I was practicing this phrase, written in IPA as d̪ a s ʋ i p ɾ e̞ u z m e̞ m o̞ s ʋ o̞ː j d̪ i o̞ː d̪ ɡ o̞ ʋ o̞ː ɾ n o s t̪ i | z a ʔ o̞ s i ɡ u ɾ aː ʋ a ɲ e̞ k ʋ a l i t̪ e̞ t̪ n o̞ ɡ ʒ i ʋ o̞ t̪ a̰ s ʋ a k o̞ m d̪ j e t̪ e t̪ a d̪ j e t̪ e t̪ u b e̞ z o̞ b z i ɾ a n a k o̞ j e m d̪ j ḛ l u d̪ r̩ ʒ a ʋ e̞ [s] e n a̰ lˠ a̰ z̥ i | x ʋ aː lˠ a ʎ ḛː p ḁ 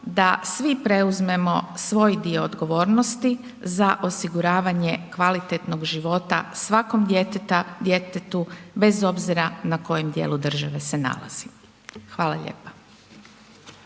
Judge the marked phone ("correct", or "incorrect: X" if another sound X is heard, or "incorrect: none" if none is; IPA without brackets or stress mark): correct